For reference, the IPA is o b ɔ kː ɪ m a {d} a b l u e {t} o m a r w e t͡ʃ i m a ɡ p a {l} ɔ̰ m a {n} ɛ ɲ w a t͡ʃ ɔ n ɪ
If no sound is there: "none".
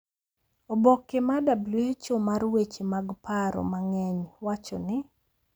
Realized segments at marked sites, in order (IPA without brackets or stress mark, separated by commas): d, t͡ʃ, ɾ, ŋ